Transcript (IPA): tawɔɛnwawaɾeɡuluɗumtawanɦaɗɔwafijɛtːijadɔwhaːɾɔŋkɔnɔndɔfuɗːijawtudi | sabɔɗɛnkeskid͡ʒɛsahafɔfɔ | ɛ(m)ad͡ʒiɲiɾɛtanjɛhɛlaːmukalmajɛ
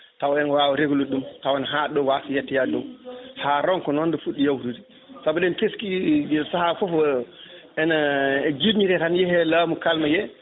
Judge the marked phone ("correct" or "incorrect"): incorrect